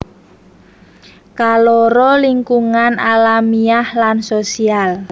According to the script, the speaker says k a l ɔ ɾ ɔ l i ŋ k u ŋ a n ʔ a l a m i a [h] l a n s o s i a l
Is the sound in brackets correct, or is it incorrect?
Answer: correct